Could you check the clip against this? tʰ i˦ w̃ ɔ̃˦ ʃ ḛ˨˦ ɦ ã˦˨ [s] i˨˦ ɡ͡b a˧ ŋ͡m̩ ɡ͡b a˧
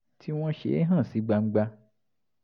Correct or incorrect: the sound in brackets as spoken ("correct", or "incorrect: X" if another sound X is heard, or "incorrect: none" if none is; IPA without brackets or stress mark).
correct